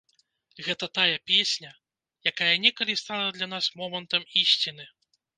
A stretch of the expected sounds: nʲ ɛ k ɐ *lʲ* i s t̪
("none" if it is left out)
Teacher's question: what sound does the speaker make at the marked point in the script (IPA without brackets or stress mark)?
lʲ